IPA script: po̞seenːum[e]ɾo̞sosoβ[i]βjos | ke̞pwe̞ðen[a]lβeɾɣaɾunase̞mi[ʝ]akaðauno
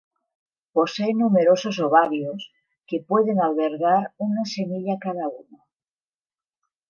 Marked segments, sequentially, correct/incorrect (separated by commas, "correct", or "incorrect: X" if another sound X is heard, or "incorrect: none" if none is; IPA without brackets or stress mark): correct, incorrect: a, correct, incorrect: ʎ